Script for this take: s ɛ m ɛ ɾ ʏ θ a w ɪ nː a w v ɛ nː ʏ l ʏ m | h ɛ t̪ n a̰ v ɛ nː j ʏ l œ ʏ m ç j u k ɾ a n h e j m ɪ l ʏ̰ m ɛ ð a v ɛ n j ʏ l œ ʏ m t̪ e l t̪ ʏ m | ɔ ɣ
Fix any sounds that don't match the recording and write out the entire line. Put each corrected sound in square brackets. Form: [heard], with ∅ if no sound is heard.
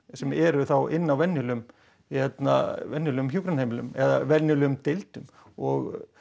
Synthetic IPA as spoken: s ɛ m ɛ ɾ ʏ θ a w ɪ nː a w v ɛ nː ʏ l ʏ m | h ɛ t̪ n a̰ v ɛ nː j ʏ l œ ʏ m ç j u k ɾ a n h e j m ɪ l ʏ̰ m ɛ ð a v ɛ n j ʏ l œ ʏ m t̪ e l t̪ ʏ m | ɔ ɣ